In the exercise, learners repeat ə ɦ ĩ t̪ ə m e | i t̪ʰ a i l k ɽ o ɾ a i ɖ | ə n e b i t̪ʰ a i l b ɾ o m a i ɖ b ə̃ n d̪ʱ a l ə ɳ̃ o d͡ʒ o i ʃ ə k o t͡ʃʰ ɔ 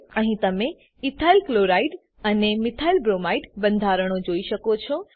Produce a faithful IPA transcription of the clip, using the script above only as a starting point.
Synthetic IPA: ə ɦ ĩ t̪ ə m e | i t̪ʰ a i l k l o ɾ a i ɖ | ə n e m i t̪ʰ a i l b ɾ o m a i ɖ b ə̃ n d̪ʱ a ɾ ə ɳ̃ o d͡ʒ o i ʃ ə k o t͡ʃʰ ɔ